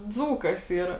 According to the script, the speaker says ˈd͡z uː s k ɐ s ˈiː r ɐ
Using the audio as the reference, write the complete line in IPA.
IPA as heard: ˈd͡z uː k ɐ s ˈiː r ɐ